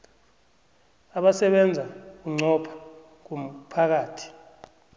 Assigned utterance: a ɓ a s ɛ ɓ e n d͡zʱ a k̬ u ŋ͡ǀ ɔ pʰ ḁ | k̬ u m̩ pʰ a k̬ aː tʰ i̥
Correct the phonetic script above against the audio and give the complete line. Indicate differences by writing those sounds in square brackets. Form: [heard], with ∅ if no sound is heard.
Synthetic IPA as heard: a ɓ a s ɛ ɓ [ɛ] n d͡zʱ a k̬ u ŋ͡ǀ ɔ pʰ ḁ | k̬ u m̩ pʰ a k̬ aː tʰ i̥